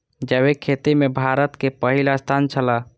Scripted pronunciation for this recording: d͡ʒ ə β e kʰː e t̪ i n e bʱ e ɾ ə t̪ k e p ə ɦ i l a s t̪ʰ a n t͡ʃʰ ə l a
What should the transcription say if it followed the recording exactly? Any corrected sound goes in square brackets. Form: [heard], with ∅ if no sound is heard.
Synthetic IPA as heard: d͡ʒ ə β e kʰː e t̪ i [m] e bʱ [a] ɾ ə t̪ k e p ə ɦ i l a s t̪ʰ a n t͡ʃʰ ə l a